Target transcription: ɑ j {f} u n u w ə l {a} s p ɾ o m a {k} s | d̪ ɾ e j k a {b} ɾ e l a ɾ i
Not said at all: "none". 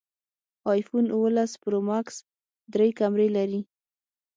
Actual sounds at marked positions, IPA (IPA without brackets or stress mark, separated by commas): f, a, k, m